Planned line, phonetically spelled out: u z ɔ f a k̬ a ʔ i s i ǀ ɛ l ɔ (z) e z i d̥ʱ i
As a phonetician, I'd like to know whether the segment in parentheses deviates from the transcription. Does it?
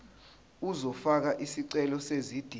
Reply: yes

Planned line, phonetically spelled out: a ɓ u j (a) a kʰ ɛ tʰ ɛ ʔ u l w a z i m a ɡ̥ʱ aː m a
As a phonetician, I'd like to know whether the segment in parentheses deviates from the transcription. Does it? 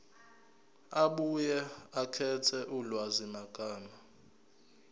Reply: yes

